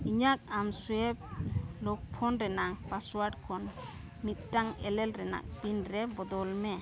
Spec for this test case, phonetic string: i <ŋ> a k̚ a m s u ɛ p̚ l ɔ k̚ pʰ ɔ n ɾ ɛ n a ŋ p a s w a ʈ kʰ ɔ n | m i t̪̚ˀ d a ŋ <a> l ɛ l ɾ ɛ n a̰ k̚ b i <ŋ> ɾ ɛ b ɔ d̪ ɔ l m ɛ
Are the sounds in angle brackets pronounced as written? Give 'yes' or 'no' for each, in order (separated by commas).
no, no, no